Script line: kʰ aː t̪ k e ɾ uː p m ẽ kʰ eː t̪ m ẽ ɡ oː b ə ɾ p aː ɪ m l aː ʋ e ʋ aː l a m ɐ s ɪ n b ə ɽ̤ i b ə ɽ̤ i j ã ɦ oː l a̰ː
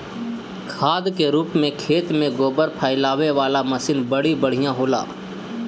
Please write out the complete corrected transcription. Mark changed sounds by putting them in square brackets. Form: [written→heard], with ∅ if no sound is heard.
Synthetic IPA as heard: kʰ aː [t̪→d̪] k e ɾ uː p m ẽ kʰ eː t̪ m ẽ ɡ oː b ə ɾ [p→pʰ] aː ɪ [m→∅] l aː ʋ e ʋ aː l a m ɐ s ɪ n b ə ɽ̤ i b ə ɽ̤ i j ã ɦ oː l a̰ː